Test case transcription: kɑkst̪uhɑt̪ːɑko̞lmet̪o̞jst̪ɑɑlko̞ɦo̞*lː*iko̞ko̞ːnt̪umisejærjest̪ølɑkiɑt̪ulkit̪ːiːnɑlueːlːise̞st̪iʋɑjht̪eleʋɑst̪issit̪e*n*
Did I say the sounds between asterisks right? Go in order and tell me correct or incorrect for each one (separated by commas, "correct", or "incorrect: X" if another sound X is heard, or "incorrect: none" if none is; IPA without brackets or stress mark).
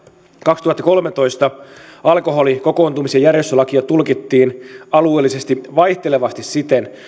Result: incorrect: l, correct